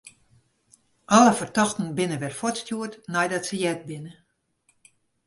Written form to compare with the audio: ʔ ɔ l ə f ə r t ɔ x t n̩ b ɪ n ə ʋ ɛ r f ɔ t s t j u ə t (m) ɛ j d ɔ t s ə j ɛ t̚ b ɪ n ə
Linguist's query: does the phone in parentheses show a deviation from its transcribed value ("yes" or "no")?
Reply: yes